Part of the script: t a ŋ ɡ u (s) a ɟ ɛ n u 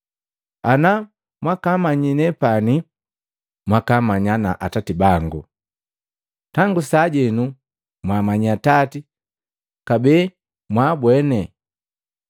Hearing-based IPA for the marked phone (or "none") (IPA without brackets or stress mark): s